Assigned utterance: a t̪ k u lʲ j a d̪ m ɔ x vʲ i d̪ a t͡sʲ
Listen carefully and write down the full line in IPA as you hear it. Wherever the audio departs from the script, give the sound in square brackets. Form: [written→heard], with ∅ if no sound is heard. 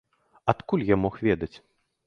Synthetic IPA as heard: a t̪ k u lʲ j a [d̪→∅] m ɔ x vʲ [i→ɛ] d̪ [a→ɐ] t͡sʲ